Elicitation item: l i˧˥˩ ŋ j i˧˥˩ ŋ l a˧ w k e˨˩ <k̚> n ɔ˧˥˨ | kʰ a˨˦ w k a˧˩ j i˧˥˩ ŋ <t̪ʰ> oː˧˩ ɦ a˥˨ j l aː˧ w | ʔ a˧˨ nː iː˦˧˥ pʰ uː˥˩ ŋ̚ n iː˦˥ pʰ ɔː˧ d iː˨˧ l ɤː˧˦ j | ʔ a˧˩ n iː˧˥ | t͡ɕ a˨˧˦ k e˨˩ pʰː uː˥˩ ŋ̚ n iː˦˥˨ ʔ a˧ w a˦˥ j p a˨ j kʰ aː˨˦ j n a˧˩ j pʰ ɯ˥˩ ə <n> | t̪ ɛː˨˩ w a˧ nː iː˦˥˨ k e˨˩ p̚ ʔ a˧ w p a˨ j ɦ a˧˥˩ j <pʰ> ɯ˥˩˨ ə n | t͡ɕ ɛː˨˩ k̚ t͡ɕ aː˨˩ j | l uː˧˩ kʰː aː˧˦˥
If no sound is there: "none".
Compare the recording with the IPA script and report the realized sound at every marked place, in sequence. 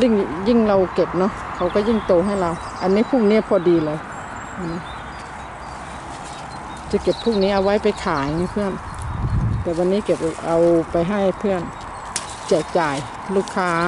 p̚, t̪, n, pʰ

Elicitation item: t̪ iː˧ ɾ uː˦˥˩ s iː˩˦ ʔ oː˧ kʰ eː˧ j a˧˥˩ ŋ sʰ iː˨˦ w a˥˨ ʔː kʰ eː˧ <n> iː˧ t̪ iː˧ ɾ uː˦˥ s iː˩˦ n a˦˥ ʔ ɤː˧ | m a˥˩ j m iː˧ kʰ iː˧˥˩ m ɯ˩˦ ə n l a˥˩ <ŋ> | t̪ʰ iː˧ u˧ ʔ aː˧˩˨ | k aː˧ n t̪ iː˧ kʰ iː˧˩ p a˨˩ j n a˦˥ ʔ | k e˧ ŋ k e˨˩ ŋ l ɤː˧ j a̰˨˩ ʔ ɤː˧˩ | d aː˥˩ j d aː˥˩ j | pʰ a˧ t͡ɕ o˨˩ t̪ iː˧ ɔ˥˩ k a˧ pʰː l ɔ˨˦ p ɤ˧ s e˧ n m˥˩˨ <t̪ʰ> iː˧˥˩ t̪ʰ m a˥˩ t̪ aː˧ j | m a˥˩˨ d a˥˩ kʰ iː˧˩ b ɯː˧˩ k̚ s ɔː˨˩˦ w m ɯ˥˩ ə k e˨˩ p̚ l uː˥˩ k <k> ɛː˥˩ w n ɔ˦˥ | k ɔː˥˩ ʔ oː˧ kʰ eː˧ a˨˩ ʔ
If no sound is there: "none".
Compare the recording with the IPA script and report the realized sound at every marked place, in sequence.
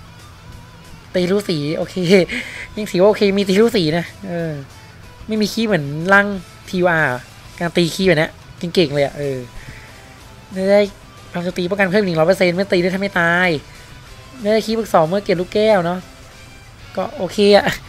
m, ŋ, t̪, k

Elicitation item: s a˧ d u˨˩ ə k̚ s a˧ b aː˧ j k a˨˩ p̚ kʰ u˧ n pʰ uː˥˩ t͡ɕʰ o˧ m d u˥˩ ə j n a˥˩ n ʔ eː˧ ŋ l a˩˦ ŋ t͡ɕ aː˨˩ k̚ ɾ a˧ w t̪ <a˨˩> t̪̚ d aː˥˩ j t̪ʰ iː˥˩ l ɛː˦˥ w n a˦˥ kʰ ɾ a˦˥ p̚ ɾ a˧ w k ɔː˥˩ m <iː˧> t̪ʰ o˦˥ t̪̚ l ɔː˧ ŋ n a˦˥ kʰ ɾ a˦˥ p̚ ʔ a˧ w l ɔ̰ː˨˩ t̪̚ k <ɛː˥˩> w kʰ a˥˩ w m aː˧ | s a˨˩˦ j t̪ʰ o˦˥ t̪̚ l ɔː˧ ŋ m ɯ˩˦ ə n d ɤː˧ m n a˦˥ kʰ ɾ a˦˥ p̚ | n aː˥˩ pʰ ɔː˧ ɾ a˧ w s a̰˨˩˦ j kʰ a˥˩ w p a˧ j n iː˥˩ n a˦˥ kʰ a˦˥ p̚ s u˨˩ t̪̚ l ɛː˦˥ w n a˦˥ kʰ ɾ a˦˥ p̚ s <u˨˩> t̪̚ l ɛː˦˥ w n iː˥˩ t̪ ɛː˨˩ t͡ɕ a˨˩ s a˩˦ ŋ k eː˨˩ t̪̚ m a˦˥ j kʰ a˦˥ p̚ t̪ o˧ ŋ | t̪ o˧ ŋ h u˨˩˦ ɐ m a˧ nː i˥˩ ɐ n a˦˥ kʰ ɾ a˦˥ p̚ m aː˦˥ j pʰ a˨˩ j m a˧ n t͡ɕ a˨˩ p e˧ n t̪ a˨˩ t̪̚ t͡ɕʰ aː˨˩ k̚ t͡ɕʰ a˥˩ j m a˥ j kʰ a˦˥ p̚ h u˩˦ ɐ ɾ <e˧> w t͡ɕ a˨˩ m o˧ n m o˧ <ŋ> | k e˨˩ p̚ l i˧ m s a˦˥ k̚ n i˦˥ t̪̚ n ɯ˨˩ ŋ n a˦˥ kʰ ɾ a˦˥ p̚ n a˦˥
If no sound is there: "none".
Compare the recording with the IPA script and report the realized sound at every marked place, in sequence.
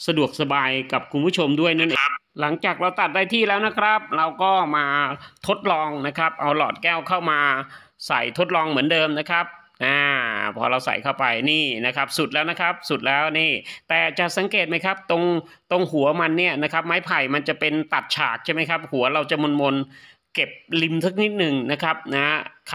a˨˩, aː˧, ɛː˥˩, u˨˩, a˧, n

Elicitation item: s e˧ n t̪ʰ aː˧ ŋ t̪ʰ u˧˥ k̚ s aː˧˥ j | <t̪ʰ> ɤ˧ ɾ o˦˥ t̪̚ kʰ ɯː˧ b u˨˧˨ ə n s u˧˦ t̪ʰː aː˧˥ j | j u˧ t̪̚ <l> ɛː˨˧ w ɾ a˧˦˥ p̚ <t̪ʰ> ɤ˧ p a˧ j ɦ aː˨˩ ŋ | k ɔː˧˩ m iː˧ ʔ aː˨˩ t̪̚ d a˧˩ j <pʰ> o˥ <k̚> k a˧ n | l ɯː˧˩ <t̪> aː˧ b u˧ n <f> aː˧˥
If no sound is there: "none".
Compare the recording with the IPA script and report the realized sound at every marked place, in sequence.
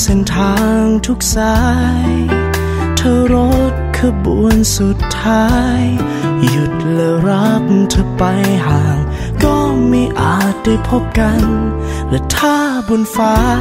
t̪ʰ, l, t̪ʰ, pʰ, p̚, t̪ʰ, f

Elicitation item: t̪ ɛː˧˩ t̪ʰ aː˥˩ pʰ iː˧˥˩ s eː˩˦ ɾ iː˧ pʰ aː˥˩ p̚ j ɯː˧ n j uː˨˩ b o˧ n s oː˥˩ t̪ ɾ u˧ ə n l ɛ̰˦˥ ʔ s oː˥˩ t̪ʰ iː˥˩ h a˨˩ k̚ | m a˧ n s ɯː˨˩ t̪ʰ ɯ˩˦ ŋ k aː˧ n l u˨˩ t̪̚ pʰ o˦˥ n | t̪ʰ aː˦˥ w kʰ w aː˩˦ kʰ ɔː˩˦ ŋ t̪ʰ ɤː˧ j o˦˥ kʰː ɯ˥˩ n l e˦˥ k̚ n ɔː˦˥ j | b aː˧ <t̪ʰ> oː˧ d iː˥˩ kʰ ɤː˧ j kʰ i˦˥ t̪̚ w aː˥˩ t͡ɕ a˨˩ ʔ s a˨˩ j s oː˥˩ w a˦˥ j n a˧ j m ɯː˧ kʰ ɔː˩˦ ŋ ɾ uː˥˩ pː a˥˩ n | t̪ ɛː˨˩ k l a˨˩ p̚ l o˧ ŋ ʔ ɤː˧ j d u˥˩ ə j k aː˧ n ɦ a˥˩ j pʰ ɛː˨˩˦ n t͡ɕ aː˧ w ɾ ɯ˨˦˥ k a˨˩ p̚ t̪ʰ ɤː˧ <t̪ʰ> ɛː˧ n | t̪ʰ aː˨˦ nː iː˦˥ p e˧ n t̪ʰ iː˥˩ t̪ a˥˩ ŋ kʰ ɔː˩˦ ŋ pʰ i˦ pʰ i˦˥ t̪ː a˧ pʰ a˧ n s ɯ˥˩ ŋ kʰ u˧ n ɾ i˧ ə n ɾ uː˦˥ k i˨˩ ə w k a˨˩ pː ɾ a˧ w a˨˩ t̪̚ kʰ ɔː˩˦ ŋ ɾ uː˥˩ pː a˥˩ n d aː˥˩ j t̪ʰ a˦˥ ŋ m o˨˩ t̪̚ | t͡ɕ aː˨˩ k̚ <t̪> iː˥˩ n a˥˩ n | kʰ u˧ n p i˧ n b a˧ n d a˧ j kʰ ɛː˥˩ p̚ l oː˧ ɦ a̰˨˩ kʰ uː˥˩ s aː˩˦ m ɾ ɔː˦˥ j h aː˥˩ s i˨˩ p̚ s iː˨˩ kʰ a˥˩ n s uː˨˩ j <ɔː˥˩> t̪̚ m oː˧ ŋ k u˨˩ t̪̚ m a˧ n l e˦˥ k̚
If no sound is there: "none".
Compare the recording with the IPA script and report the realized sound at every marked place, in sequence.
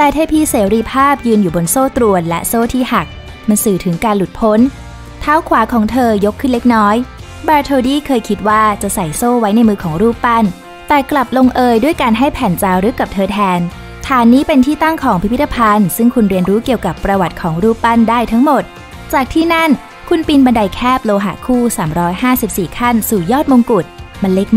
t̪ʰ, t̪ʰ, t̪ʰ, ɔː˥˩

